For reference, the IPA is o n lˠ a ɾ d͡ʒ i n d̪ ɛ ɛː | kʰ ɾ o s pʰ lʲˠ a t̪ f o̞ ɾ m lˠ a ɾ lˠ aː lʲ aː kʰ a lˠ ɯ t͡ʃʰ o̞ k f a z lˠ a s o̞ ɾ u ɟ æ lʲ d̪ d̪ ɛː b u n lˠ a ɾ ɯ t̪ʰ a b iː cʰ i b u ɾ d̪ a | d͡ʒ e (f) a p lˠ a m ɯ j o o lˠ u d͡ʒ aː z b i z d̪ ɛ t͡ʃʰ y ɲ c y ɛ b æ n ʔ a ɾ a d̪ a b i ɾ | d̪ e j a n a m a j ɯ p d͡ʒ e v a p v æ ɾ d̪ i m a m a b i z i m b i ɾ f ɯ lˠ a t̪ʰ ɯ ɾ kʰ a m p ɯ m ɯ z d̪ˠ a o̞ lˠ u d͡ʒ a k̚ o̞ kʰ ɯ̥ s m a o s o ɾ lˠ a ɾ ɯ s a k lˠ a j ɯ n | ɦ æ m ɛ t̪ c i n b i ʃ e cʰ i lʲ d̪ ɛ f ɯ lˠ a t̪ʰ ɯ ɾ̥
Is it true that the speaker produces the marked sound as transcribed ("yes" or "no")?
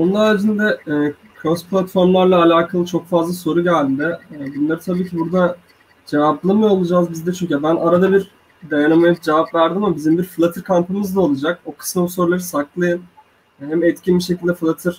no